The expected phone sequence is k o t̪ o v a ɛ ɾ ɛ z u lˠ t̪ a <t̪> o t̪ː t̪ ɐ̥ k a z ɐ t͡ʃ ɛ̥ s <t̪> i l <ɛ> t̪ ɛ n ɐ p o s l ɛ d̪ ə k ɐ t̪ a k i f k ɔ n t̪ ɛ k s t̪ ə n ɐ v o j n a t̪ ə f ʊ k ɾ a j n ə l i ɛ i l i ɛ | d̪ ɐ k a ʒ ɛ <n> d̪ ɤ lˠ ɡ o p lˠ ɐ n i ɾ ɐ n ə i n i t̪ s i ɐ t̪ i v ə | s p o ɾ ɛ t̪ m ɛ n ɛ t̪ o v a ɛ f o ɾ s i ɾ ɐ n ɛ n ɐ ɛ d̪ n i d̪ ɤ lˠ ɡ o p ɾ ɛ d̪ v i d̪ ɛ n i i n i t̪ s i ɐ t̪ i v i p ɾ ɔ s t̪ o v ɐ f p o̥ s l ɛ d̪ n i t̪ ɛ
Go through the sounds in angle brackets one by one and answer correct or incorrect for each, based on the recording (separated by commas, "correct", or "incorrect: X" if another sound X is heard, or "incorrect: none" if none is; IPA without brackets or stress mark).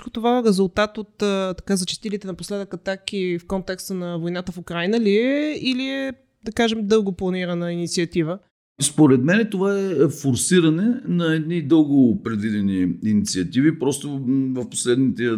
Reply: correct, correct, incorrect: i, incorrect: m